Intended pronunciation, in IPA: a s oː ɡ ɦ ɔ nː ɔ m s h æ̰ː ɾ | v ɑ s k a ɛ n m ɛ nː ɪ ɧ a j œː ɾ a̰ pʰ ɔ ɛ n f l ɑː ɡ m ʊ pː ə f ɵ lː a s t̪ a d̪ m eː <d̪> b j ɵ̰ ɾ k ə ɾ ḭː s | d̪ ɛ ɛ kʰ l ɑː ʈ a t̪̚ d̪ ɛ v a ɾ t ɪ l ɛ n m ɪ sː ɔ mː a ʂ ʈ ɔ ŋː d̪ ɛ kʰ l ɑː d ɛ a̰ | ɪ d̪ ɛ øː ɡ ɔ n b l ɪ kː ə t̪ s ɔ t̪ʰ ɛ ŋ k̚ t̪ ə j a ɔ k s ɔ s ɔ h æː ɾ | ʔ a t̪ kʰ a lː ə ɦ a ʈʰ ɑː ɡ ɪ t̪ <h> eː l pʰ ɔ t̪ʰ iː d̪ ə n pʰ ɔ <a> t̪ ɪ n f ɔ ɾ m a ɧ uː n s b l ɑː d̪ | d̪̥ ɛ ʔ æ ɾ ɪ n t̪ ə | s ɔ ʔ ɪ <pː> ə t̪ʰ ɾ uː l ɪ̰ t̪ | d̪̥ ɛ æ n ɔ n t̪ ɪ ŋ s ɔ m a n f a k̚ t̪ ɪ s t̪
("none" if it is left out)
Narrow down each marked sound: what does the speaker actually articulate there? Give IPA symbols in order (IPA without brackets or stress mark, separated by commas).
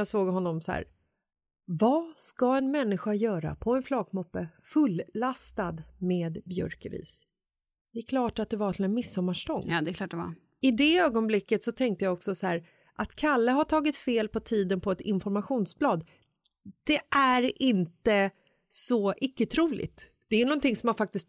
d̪, f, ɛ, kː